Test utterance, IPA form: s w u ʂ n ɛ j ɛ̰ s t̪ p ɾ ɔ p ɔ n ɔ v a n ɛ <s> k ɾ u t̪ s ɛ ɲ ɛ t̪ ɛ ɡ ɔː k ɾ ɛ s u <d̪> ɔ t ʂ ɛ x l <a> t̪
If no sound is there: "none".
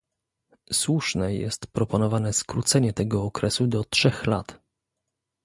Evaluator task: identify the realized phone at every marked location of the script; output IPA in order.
s, d̪, a

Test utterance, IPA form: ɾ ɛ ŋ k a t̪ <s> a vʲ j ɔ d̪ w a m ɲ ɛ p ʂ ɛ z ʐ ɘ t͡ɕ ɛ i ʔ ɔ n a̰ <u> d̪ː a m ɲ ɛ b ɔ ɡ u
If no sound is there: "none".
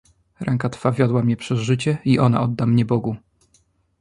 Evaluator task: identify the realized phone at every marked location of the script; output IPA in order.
f, ɔ

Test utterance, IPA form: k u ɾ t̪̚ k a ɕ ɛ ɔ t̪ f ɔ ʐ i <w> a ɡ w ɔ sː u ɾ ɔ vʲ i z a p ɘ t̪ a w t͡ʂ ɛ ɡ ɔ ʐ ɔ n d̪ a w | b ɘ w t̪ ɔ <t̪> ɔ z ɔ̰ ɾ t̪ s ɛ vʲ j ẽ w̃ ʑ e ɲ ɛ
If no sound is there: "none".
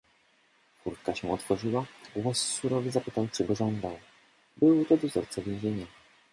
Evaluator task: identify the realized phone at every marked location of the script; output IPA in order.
w, d̪

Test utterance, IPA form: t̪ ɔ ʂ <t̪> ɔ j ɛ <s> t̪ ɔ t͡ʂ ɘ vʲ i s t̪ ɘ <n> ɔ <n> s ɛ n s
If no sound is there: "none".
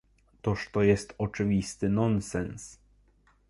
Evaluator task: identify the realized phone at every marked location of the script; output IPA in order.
t̪, s, n, n

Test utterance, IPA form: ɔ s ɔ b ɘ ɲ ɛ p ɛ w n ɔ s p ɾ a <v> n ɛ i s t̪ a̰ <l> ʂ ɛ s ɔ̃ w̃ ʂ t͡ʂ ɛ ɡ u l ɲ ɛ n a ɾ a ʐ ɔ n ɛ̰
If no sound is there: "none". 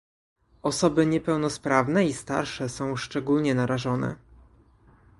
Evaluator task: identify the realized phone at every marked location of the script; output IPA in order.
v, ɾ

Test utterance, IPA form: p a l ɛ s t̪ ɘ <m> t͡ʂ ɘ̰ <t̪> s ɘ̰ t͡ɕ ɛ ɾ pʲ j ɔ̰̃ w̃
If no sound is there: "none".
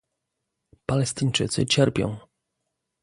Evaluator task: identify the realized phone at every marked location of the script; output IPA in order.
ɲ, t̪

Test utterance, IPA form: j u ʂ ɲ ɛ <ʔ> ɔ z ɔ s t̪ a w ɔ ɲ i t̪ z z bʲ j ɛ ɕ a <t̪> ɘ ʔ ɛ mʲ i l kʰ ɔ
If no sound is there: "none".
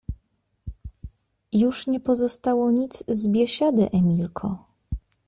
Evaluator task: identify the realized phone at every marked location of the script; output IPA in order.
p, d̪

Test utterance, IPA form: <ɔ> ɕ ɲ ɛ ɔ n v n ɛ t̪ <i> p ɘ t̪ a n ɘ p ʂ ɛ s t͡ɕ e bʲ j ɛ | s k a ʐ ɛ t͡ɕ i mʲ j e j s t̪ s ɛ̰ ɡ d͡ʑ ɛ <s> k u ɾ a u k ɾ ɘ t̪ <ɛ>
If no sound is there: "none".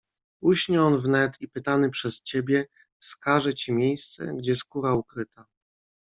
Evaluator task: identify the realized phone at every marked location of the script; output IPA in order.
u, i, s, a

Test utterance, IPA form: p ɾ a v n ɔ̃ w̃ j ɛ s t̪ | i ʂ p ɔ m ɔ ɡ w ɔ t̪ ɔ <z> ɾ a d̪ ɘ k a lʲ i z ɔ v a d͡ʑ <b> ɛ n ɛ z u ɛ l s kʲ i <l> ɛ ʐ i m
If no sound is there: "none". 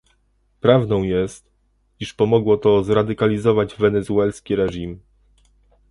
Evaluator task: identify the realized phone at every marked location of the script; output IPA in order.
z, v, ɾ

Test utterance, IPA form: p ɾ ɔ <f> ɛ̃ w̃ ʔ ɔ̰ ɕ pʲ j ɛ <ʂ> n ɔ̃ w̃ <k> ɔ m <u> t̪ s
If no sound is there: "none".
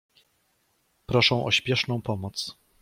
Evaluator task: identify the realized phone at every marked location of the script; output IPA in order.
ʂ, ʂ, p, ɔ

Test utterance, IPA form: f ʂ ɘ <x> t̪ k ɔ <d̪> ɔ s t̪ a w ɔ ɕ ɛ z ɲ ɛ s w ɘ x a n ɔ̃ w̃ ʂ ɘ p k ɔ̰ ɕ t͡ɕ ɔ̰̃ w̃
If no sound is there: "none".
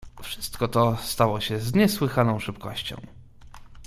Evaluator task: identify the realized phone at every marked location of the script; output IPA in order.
s, t̪

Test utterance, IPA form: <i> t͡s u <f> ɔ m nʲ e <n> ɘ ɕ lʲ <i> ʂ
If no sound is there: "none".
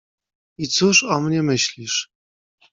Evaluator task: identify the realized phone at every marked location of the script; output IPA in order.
i, ʂ, m, i

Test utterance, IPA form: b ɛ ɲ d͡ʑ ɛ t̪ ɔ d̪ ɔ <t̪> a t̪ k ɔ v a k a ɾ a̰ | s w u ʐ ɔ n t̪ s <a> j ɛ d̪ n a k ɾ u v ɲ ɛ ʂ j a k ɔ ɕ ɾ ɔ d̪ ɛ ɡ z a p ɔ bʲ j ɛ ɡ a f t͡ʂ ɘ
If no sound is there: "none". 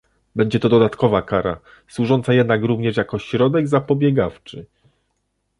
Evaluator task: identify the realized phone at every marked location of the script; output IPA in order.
d̪, a

